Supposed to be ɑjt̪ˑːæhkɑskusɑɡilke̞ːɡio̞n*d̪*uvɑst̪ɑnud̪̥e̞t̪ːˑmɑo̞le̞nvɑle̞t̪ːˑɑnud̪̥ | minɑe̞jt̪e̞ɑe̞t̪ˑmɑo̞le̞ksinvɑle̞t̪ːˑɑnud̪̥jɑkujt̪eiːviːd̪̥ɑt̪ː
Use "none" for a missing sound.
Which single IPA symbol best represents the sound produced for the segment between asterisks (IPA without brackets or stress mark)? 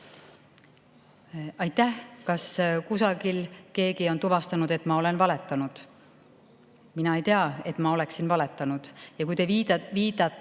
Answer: t̪